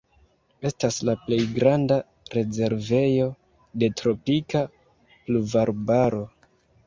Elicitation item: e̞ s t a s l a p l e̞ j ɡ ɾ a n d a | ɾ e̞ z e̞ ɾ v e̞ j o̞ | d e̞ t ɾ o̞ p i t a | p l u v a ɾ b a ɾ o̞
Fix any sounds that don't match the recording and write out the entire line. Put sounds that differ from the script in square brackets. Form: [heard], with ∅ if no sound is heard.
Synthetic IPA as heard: e̞ s t a s l a p l e̞ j ɡ ɾ a n d a | ɾ e̞ z e̞ ɾ v e̞ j o̞ | d e̞ t ɾ o̞ p i [k] a | p l u v a ɾ b a ɾ o̞